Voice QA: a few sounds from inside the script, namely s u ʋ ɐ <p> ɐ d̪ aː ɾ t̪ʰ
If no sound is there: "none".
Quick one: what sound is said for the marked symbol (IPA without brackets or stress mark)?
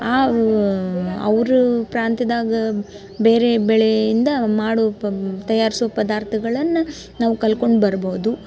p